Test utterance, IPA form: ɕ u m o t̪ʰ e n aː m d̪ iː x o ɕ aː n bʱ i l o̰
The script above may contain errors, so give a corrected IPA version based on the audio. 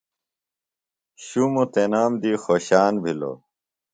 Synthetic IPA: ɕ u m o t̪ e n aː m d̪ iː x o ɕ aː n bʱ i l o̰